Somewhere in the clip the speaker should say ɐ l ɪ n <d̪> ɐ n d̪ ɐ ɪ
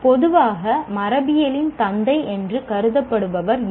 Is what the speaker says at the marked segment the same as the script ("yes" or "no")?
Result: no